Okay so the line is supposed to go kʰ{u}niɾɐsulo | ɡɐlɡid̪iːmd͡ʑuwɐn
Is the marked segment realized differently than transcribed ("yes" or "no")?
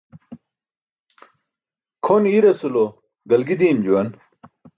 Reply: yes